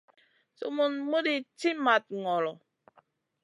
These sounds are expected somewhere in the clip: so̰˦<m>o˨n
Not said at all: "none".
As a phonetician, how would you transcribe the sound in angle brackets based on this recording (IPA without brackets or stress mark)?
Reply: m